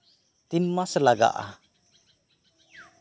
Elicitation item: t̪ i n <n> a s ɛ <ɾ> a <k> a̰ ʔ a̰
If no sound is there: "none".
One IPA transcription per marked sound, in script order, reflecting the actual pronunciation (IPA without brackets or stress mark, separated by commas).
m, l, ɡ